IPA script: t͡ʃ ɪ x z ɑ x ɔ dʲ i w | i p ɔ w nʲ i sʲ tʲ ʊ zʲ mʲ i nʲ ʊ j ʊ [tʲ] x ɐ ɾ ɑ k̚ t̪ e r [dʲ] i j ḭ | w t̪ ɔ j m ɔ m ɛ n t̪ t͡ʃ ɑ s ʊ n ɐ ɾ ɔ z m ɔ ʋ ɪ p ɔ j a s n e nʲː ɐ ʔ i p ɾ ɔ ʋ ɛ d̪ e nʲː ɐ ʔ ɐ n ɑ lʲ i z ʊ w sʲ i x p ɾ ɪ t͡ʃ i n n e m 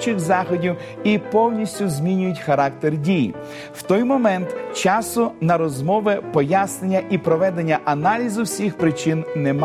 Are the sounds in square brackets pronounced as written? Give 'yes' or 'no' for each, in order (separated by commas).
yes, yes